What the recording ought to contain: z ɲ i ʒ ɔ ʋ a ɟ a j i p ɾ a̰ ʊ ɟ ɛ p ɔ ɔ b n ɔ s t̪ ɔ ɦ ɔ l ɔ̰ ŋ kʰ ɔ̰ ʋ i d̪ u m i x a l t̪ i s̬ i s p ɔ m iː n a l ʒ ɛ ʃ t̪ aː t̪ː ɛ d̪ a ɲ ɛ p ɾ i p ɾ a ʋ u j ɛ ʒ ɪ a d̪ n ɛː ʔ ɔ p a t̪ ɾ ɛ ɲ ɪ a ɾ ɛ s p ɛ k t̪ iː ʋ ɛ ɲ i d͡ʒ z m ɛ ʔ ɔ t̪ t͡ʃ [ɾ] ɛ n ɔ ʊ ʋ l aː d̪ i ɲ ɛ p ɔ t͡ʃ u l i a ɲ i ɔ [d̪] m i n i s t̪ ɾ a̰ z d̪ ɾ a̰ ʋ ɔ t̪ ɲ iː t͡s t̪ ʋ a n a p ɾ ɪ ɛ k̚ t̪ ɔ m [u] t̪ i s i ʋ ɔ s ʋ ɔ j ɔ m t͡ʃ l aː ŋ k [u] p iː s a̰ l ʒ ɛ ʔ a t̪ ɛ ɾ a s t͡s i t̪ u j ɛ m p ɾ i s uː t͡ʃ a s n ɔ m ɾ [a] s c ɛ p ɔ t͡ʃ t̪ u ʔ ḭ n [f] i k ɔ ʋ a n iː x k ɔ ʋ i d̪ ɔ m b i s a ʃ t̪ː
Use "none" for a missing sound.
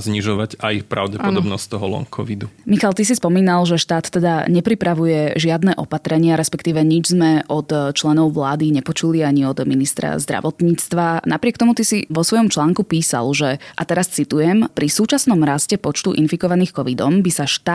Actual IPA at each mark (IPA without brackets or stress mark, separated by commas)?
l, d̪, u, u, a, f